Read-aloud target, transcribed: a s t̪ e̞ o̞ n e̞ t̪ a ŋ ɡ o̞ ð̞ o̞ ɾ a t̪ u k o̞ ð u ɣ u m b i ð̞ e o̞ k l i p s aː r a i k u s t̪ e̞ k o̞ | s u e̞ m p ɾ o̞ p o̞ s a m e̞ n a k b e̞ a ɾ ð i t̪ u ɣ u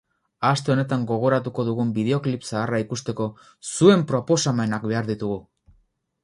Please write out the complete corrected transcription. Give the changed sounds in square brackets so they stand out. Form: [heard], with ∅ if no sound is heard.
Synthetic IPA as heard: a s t̪ e̞ o̞ n e̞ t̪ a ŋ ɡ o̞ [ɣ̞] o̞ ɾ a t̪ u k o̞ ð u ɣ u m b i ð̞ e o̞ k l i p s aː r a i k u s t̪ e̞ k o̞ | s u e̞ m p ɾ o̞ p o̞ s a m e̞ n a k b e̞ a ɾ ð i t̪ u ɣ u